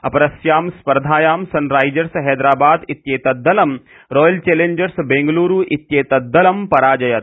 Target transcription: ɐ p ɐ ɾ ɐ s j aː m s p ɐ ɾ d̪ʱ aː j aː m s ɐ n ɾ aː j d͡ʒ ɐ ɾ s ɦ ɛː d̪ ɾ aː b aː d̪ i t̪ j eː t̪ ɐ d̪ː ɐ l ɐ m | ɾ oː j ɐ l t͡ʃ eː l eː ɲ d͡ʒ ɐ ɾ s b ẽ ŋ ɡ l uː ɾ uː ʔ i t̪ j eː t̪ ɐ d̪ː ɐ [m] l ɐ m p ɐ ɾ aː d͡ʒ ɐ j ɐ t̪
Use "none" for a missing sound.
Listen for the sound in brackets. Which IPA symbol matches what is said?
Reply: none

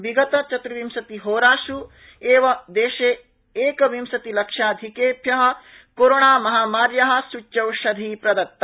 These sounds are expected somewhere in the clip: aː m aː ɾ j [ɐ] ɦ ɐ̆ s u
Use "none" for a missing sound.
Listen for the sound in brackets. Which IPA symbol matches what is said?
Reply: ɐ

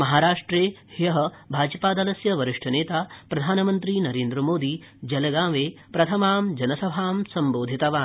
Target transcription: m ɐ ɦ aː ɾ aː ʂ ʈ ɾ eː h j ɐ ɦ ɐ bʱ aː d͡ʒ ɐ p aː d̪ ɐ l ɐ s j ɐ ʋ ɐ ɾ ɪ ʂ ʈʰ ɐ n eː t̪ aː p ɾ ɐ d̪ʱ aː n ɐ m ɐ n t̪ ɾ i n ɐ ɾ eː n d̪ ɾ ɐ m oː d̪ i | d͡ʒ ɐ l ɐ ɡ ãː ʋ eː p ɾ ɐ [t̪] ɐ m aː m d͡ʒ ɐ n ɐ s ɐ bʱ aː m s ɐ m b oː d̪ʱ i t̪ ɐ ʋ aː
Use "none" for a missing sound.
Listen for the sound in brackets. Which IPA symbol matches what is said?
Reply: t̪ʰ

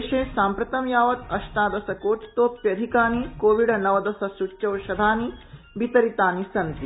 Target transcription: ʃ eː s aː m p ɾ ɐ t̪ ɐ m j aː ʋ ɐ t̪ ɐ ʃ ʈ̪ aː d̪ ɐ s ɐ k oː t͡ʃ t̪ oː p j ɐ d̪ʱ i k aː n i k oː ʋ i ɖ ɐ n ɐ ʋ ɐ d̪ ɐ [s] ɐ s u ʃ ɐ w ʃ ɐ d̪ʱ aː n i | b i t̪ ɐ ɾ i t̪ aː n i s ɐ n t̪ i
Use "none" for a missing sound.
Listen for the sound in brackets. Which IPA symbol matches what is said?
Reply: s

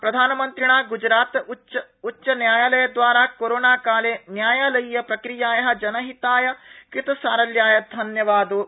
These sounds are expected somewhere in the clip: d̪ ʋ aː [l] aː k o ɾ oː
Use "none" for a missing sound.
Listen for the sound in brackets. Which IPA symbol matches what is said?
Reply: ɾ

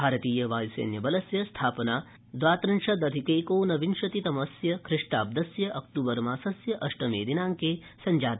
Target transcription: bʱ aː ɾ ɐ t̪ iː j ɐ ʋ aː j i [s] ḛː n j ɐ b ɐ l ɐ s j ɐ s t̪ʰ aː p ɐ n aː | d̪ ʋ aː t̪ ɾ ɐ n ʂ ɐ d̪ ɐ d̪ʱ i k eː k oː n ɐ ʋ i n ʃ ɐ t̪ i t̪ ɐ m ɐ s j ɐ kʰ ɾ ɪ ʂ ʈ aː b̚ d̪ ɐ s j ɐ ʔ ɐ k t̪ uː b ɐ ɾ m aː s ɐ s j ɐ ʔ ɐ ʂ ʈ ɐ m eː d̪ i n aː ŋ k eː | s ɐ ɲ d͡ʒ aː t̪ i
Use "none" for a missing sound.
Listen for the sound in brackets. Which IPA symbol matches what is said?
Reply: s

